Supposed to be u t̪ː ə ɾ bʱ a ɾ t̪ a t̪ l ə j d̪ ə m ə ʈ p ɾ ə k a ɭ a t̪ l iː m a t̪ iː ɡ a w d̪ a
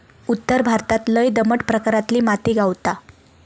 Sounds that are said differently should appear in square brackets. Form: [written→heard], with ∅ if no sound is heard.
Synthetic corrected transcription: u t̪ː ə ɾ bʱ a ɾ t̪ a t̪ l ə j d̪ ə m ə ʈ p ɾ ə k a [ɭ→ɾ] a t̪ l iː m a t̪ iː ɡ a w [d̪→t̪] a